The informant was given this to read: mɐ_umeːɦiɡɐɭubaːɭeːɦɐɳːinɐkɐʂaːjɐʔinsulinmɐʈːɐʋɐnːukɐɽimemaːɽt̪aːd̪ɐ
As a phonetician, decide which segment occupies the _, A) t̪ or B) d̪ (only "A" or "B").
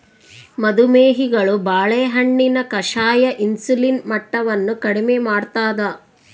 B